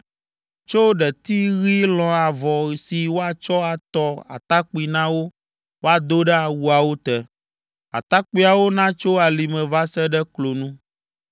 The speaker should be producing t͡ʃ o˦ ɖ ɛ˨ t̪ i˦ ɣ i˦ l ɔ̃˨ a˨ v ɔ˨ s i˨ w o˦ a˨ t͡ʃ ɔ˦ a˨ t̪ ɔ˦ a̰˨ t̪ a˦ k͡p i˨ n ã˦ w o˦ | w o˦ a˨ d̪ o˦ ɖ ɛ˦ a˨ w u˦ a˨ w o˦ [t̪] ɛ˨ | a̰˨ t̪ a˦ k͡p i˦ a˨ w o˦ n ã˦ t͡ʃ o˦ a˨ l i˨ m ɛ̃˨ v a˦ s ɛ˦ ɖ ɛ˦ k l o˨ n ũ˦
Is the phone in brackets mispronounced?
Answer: no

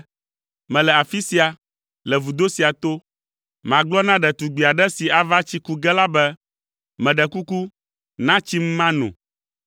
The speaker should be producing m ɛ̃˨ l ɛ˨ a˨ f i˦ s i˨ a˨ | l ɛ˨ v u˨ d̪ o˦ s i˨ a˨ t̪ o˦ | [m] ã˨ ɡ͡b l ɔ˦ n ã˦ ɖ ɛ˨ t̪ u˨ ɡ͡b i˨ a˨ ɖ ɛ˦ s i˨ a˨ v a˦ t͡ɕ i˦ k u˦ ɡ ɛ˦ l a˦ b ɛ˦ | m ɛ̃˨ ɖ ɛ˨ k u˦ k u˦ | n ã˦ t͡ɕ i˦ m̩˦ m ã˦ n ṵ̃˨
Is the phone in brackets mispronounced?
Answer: no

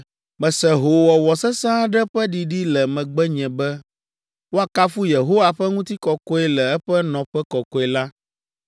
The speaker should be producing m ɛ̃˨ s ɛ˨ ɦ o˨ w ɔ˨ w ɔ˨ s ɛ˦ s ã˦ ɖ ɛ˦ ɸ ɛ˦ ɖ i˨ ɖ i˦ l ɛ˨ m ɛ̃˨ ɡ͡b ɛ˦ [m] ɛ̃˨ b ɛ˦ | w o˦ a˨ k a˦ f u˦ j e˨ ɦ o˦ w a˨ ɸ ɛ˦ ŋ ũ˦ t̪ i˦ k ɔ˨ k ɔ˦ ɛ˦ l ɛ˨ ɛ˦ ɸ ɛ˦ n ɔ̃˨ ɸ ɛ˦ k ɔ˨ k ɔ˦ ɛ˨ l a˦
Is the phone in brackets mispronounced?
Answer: yes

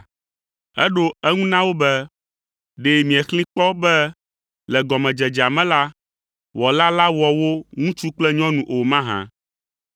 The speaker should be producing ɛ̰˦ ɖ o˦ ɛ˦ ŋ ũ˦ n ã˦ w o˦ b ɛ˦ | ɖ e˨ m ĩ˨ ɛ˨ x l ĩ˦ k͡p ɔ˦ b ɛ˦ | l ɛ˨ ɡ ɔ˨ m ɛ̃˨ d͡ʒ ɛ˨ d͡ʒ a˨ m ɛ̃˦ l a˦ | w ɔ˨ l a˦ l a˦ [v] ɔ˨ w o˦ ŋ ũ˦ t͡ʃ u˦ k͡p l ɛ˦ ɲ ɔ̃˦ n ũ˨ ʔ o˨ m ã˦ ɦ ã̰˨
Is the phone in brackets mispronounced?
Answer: yes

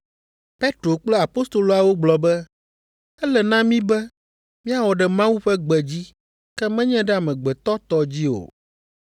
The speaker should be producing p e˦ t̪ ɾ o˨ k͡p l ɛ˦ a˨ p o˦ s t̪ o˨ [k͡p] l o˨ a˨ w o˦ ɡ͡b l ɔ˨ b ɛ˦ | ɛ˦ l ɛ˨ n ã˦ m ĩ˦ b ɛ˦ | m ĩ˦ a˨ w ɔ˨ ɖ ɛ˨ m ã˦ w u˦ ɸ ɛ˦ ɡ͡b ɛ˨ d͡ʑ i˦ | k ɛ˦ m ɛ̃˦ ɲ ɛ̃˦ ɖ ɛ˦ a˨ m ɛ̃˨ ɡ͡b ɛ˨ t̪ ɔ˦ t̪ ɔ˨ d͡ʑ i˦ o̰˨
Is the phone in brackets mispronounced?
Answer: yes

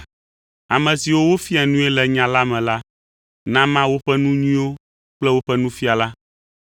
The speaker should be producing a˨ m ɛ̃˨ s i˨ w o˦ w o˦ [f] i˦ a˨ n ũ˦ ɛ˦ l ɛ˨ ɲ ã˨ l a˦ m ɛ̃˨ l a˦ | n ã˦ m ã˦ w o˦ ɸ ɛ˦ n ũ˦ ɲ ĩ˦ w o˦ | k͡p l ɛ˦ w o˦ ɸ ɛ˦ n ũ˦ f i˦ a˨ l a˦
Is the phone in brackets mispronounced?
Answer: no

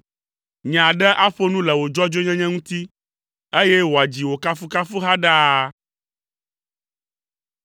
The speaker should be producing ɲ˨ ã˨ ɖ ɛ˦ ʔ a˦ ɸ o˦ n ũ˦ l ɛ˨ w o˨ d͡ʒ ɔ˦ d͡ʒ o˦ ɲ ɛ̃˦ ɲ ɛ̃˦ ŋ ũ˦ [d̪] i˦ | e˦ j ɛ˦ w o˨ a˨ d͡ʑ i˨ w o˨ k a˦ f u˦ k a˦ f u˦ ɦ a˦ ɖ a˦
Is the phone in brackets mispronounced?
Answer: yes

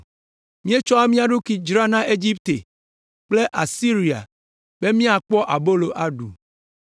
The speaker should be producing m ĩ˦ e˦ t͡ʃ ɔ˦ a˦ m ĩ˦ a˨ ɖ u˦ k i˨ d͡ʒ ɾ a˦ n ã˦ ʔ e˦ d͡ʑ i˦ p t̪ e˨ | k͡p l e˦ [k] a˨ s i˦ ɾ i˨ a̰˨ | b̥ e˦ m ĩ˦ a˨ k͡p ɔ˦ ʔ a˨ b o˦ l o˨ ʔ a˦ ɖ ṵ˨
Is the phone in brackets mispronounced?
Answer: yes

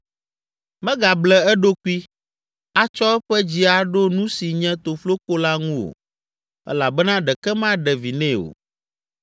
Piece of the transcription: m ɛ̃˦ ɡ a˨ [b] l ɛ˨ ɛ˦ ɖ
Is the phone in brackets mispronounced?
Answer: no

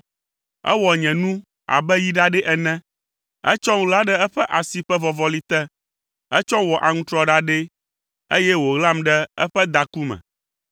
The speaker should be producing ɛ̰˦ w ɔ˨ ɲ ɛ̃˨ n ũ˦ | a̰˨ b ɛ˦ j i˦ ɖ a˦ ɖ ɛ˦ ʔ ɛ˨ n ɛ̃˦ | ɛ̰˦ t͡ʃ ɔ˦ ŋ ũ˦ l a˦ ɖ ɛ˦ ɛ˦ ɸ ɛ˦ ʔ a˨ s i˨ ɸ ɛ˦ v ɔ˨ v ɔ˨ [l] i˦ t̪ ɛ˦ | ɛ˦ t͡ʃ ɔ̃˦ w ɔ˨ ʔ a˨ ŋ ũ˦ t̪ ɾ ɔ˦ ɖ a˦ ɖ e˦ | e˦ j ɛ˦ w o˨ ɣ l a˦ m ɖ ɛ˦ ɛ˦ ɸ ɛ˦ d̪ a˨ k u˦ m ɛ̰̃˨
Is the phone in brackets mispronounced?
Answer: no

